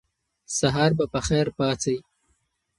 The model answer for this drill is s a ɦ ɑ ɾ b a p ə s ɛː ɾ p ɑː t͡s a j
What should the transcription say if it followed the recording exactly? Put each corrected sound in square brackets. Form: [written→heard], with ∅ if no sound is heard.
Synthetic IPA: s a ɦ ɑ ɾ b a p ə [s→x] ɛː ɾ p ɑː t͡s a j

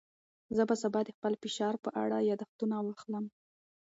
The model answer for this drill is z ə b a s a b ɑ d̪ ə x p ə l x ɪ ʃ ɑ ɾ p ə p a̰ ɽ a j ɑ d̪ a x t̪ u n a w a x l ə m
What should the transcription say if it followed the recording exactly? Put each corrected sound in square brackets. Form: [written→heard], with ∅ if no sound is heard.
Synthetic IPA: z ə b a s a b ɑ d̪ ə x p ə l [x→f] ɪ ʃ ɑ ɾ p ə [p→ʔ] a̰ ɽ a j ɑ d̪ a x t̪ u n a w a x l ə m

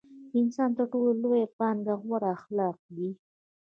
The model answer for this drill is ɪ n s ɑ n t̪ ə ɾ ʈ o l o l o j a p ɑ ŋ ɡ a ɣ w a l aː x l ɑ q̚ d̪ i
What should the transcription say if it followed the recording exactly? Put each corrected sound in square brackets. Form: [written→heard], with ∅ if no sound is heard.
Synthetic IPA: ɪ n s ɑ n t̪ ə ɾ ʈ o l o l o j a p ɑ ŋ ɡ a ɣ w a [l→ɾ] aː x l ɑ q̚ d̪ i

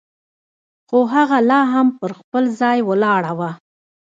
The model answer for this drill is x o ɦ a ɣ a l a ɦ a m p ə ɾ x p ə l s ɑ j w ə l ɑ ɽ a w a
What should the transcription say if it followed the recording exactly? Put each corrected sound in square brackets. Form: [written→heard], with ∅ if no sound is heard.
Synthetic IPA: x o ɦ a ɣ a l [a→ɑ] ɦ a m p ə ɾ x p ə l [s→z] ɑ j w ə l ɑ ɽ a w a

